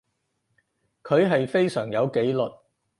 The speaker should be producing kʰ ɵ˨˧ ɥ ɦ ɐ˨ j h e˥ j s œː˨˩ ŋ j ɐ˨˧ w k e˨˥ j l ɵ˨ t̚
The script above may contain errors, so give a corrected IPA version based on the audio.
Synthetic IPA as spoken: kʰ ɵ˨˧ ɥ ɦ ɐ˨ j f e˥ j s œː˨˩ ŋ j ɐ˨˧ w k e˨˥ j l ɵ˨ t̚